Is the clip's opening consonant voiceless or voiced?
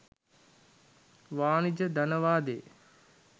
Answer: voiced